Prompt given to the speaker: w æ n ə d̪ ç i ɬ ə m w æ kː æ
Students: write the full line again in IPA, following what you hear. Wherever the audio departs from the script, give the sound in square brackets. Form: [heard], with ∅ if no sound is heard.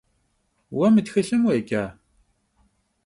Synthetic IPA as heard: w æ [m] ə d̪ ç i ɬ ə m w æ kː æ